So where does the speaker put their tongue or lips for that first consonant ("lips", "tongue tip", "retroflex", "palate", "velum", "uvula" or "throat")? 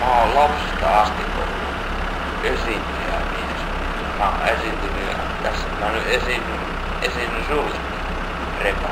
lips